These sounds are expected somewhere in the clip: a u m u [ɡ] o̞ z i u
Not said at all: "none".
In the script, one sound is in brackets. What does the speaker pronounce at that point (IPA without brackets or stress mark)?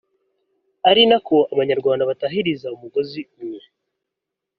ɡ